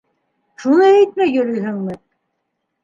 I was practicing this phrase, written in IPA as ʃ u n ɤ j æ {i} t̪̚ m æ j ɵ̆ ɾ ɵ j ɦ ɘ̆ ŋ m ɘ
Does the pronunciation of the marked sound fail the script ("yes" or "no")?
yes